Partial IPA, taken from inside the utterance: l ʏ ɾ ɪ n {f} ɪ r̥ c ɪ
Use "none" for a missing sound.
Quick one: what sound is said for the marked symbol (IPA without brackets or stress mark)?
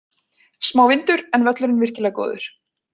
v